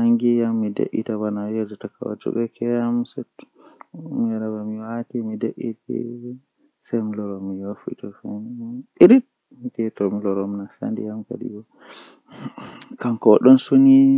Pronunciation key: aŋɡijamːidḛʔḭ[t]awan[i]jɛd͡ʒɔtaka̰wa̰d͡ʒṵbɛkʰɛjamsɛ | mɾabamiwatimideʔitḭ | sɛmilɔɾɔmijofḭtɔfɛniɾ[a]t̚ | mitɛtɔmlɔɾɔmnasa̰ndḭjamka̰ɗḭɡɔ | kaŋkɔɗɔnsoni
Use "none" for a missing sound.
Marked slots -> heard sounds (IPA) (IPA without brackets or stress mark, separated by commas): t, a, i